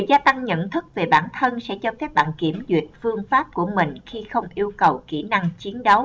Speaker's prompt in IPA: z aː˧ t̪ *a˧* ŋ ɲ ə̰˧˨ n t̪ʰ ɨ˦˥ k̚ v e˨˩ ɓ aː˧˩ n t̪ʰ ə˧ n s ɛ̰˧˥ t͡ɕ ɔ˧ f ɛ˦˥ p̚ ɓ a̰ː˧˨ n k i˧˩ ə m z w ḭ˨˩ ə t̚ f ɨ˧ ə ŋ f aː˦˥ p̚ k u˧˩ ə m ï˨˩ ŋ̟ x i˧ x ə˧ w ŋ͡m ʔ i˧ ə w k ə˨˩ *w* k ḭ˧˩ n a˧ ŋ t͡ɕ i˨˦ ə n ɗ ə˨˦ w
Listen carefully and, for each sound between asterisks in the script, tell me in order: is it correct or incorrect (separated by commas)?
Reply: correct, correct